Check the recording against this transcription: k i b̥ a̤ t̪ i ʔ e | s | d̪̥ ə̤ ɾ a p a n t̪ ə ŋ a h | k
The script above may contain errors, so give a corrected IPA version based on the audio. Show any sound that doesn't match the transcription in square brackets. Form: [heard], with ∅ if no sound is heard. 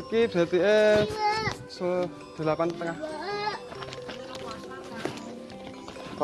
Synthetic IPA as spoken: k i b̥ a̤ t̪ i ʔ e | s | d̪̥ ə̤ [l] a p a n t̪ ə ŋ a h | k